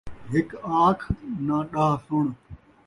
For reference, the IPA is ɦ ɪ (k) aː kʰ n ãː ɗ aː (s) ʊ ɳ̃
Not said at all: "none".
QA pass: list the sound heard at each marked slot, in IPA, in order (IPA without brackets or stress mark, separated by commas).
k, s